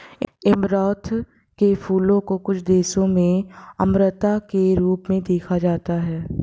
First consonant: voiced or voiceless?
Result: voiced